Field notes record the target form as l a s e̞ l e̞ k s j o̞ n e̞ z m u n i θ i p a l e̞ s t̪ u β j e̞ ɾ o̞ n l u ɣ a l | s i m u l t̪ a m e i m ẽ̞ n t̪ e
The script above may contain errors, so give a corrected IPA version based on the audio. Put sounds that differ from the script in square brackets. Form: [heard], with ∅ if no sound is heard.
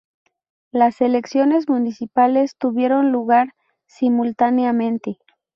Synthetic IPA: l a s e̞ l e̞ k s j o̞ n e̞ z m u n i [s] i p a l e̞ s t̪ u β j e̞ ɾ o̞ n l u ɣ a [ɾ] | s i m u l t̪ a [n] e [a] m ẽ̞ n t̪ e